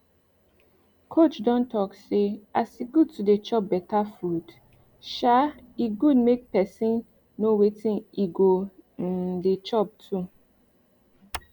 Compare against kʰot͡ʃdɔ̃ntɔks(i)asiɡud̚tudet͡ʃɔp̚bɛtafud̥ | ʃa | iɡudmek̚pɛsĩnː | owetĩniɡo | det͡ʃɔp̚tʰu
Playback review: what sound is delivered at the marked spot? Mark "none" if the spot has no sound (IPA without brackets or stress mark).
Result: e